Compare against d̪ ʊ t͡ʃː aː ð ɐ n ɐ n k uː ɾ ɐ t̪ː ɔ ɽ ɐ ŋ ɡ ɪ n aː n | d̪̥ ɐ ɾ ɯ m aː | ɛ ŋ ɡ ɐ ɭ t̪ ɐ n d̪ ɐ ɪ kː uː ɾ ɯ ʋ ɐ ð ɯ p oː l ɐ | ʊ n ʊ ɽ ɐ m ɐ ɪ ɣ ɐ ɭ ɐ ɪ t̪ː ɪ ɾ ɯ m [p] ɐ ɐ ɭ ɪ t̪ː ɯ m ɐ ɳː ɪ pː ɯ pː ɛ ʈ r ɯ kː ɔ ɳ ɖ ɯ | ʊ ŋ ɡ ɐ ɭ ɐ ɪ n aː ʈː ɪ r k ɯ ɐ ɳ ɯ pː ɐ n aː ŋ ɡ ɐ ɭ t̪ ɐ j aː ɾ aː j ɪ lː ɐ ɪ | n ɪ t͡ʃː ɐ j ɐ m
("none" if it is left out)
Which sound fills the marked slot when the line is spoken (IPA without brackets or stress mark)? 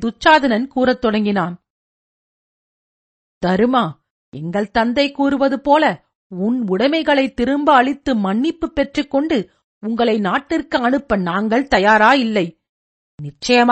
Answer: b